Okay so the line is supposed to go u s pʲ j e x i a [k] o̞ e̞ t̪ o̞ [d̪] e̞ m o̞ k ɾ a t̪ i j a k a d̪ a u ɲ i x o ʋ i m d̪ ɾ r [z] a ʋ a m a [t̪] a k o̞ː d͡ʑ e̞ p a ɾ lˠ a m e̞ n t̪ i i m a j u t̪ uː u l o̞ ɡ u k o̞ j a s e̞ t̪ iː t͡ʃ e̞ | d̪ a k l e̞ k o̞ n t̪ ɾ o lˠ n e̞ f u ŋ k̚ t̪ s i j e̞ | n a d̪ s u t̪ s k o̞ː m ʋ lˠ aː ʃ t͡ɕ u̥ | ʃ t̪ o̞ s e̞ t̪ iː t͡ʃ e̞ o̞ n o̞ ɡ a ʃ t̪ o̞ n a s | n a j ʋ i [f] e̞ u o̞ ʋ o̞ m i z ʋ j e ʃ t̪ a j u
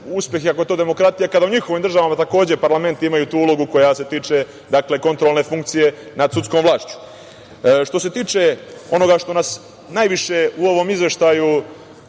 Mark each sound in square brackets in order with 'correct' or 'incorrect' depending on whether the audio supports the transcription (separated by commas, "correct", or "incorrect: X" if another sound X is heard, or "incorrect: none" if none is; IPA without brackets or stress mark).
correct, correct, incorrect: ʒ, correct, incorrect: ʃ